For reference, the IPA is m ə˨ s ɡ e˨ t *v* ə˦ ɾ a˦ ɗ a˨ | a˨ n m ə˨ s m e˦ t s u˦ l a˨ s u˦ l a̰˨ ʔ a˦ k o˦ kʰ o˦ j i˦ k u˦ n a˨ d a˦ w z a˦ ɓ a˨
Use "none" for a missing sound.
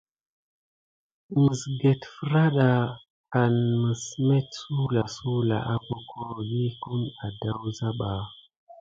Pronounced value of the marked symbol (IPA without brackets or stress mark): f